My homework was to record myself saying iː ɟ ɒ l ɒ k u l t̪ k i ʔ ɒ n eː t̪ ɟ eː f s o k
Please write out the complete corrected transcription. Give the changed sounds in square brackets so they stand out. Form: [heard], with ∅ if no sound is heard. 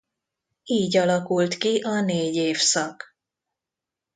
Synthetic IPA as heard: iː ɟ ɒ l ɒ k u l t̪ k i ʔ ɒ n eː [∅] ɟ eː f s [ɒ] k